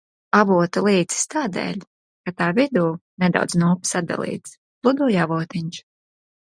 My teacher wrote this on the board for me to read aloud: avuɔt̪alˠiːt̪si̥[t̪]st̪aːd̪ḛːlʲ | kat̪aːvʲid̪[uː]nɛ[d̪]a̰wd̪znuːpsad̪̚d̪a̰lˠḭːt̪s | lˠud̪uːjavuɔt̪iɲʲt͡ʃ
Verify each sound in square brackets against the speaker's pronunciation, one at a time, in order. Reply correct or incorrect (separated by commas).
incorrect, correct, correct